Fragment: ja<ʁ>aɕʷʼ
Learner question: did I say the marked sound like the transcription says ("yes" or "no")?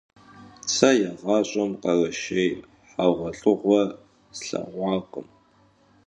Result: yes